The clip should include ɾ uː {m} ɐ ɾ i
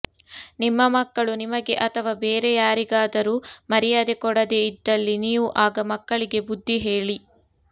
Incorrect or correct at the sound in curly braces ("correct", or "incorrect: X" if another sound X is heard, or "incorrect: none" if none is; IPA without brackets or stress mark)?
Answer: correct